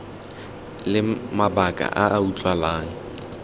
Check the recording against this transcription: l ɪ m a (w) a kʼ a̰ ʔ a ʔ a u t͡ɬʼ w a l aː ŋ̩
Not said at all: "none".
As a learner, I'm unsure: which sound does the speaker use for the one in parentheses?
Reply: b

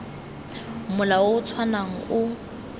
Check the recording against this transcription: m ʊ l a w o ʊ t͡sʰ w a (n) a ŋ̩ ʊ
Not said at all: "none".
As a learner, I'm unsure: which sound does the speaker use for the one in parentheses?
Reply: n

